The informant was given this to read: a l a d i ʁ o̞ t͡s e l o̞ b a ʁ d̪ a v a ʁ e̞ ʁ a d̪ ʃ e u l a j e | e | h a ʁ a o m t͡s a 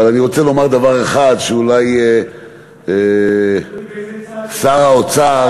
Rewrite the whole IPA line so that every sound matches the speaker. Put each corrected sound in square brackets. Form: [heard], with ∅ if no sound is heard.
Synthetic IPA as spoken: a l a [n] i ʁ o̞ t͡s e l o̞ [m] a ʁ d̪ a v a ʁ e̞ [χ] a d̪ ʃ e u l a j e | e | [s] a ʁ a o [∅] t͡s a